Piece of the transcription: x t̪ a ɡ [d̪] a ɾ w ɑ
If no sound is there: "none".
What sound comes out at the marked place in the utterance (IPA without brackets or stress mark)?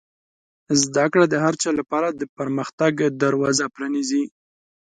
d̪